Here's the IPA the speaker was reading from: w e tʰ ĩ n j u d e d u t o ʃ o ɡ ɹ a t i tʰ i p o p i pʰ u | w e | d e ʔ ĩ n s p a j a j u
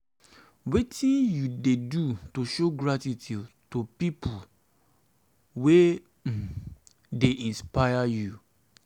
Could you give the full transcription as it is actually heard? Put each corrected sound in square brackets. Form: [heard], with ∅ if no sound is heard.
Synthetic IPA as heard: w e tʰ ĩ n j u d e d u t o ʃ o ɡ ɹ a t i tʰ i [t] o p i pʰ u | w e | d e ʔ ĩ n s p a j a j u